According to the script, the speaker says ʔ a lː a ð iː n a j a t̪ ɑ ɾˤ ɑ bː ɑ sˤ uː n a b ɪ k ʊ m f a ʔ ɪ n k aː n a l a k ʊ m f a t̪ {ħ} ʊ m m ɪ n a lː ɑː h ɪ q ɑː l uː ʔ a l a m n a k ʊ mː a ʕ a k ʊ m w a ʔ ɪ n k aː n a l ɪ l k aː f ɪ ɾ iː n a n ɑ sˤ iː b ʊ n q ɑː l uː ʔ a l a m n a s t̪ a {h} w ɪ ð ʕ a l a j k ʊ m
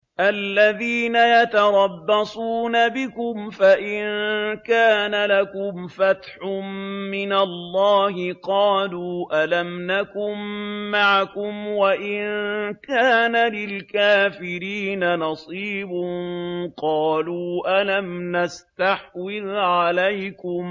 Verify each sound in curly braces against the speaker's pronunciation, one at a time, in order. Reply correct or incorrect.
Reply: correct, incorrect

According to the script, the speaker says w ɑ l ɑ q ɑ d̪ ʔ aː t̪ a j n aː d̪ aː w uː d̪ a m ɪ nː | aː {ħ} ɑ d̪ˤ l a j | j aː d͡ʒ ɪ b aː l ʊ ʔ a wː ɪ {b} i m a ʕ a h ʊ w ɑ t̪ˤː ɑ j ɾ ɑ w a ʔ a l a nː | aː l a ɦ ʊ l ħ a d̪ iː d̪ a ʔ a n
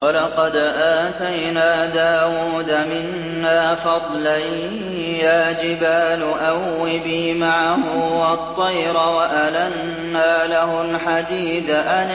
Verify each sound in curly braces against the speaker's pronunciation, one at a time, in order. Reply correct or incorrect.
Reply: incorrect, correct

